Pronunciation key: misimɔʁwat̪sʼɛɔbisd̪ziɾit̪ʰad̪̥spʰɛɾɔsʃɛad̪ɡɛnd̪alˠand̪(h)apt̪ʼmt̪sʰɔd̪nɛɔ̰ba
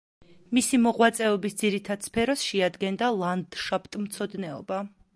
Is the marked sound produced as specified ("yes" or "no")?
no